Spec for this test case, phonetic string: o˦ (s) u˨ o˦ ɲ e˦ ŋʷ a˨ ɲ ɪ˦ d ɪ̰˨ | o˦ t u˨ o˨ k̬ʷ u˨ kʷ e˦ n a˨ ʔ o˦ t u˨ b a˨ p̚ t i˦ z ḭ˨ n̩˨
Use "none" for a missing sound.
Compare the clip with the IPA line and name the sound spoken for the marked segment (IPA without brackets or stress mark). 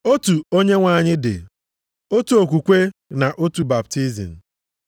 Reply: t